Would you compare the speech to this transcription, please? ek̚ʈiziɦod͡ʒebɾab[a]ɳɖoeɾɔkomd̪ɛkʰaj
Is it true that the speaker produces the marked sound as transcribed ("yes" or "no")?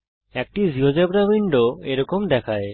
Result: no